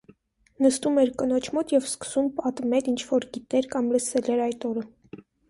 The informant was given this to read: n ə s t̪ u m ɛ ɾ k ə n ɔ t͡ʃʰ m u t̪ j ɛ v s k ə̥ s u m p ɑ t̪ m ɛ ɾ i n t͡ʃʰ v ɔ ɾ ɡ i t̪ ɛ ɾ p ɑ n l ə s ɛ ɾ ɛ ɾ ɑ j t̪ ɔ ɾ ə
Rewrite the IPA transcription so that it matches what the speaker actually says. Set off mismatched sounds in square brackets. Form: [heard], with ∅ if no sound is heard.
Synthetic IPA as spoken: n ə s t̪ u m ɛ ɾ k ə n ɔ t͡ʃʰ m [ɔ] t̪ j ɛ v s k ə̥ s u m p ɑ t̪ m ɛ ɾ i n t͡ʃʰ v ɔ ɾ ɡ i t̪ ɛ ɾ [k] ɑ [m] l ə s ɛ [l] ɛ ɾ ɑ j t̪ ɔ ɾ ə